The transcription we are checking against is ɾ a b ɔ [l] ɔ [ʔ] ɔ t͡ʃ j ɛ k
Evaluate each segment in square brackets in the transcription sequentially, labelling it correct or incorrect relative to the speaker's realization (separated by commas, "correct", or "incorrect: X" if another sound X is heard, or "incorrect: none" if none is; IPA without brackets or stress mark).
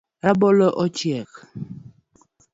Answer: correct, correct